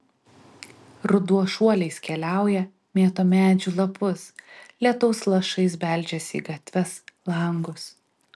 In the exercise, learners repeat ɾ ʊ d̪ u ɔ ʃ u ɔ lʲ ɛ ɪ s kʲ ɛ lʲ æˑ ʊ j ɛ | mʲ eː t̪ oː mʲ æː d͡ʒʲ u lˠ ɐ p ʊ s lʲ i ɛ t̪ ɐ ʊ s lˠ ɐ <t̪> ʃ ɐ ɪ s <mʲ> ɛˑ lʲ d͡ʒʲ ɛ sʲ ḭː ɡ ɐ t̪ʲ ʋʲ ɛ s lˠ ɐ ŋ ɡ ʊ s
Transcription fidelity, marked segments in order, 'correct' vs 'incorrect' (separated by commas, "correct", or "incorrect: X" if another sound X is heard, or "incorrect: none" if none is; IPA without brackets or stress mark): incorrect: none, incorrect: bʲ